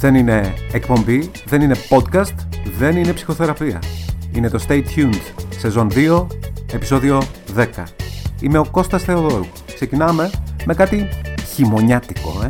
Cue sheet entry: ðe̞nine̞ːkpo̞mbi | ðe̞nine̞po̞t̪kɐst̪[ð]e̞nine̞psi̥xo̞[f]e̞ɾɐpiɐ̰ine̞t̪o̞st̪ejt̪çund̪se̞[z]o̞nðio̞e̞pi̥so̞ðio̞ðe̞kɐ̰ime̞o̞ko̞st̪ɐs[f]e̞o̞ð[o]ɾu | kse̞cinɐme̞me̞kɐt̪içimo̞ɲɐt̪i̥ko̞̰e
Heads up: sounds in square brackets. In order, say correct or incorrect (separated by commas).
correct, incorrect, correct, incorrect, correct